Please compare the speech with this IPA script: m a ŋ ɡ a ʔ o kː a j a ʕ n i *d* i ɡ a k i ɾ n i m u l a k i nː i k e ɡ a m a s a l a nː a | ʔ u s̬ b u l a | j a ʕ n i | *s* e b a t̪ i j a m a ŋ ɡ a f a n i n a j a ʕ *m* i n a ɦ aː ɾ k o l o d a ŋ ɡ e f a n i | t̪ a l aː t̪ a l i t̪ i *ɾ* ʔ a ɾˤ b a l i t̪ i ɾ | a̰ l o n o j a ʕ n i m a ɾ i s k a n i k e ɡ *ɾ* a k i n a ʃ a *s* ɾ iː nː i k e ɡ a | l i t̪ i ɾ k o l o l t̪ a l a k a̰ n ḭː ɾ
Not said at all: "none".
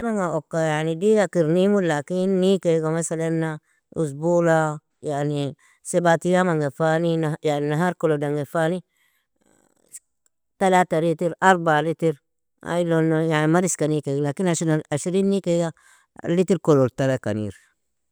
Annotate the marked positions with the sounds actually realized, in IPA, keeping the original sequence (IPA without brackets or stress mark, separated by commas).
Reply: d, s, n, ɾ, l, ʃ